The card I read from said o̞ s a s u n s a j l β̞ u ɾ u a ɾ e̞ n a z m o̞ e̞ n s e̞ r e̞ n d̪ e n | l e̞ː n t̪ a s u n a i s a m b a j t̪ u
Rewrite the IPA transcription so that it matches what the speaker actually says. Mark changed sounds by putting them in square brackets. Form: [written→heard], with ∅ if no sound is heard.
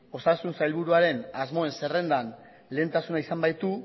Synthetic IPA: o̞ s a s u n s a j l β̞ u ɾ u a ɾ e̞ n a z m o̞ e̞ n s e̞ r e̞ n d̪ [e→a] n | l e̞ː n t̪ a s u n a i s a m b a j t̪ u